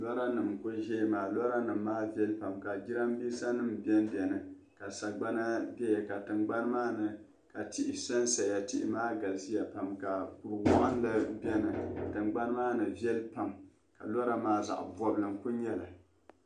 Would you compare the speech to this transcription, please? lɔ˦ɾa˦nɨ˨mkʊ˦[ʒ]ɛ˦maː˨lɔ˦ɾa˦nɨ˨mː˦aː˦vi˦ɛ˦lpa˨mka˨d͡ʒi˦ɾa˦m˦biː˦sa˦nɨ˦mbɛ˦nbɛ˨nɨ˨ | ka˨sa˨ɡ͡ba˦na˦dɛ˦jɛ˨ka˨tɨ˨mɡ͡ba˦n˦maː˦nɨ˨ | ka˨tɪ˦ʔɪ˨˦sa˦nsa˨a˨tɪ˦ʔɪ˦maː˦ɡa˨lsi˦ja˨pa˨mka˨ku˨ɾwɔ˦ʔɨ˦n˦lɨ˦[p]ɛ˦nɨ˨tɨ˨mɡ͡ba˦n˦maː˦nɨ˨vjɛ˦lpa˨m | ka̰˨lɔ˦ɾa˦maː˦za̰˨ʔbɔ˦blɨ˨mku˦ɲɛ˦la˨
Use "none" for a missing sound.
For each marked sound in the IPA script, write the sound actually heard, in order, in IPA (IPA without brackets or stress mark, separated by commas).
ʒ, b